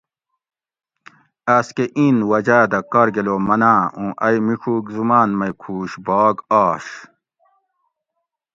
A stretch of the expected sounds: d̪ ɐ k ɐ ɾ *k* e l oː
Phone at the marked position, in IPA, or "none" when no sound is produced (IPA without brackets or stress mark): ɡ